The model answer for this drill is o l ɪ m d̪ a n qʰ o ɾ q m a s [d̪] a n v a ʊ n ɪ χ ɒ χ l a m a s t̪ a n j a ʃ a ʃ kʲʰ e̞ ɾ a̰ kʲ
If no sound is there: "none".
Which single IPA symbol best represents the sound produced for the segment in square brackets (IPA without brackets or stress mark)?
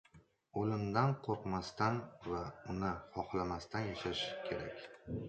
t̪